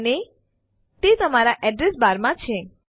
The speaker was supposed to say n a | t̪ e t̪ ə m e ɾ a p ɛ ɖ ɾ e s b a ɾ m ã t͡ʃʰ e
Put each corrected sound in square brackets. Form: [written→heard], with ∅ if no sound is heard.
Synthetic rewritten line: n [a→e] | t̪ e t̪ ə m [e→a] ɾ a [p→ʔ] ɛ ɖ ɾ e s b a ɾ m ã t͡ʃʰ e